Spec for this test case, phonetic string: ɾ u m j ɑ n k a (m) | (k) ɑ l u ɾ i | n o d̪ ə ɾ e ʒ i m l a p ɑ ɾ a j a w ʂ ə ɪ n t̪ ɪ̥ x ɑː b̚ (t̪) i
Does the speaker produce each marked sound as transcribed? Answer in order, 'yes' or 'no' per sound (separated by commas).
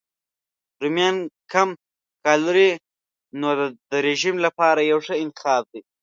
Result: yes, yes, no